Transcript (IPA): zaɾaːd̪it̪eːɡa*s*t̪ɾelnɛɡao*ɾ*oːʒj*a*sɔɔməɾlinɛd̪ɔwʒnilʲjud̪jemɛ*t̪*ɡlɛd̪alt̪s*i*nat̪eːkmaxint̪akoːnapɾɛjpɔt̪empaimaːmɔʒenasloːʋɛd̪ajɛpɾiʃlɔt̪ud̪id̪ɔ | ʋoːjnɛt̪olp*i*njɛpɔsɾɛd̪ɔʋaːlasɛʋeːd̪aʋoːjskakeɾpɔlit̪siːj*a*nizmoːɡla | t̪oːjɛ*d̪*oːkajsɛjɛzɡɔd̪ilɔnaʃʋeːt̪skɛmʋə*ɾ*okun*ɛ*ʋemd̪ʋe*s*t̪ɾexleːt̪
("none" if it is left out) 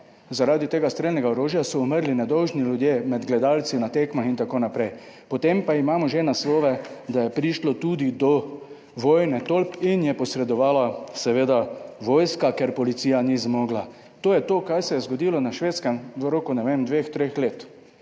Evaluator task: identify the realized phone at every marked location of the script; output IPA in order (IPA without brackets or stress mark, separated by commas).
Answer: s, ɾ, a, d̪, i, i, a, t̪, ɾ, ɛ, x